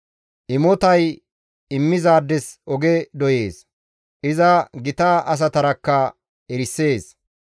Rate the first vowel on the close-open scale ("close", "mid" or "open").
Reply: close